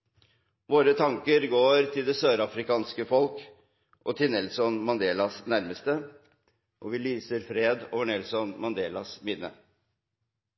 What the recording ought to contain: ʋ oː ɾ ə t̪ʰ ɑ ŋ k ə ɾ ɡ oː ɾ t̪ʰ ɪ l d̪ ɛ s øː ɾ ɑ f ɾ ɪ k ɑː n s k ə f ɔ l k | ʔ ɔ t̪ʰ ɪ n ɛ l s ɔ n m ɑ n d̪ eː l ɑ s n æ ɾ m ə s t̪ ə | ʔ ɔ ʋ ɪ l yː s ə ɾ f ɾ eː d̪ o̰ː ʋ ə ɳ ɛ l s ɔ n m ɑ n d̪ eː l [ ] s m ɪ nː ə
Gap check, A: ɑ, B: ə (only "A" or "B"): A